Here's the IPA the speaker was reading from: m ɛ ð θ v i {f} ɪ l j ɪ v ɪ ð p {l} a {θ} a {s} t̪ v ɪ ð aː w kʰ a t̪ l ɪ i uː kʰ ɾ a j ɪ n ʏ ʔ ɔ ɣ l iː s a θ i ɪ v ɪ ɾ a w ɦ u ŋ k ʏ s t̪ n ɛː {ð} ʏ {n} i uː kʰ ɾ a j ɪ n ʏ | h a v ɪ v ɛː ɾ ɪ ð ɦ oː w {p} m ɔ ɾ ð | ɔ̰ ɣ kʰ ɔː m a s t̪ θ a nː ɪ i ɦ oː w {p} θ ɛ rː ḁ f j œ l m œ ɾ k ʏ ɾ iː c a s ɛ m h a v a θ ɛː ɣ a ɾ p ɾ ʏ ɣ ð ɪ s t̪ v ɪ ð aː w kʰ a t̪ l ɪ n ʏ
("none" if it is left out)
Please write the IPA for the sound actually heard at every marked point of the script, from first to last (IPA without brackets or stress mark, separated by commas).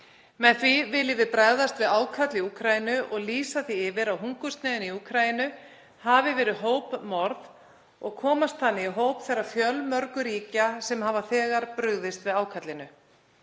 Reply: v, ɾ, ð, s, ð, n, p, p